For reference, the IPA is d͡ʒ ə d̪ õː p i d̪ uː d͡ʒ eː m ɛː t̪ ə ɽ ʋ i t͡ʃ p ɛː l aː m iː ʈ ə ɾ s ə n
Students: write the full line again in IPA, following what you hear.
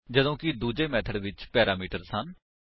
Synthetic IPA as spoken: d͡ʒ ə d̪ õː k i d̪ uː d͡ʒ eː m ɛː t̪ʰ ə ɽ ʋ ɪ t͡ʃ p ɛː ɾ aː m iː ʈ ə ɾ s ə n